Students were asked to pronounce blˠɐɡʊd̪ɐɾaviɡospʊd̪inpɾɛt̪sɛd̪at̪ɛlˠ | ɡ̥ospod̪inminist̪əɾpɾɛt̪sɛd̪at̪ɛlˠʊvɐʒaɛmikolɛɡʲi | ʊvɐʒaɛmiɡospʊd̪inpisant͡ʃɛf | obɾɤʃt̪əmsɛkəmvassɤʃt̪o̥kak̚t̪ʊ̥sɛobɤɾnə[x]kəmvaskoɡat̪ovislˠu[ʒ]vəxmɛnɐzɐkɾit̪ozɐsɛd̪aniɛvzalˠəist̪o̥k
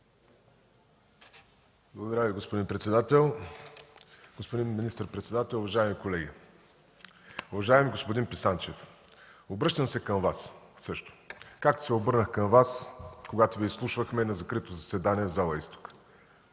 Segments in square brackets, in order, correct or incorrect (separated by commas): correct, incorrect